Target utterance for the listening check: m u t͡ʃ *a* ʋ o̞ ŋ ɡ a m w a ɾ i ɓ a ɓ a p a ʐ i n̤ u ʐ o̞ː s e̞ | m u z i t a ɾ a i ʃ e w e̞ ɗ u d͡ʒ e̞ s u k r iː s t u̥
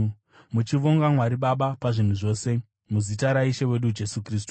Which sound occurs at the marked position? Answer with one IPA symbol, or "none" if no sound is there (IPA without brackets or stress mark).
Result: i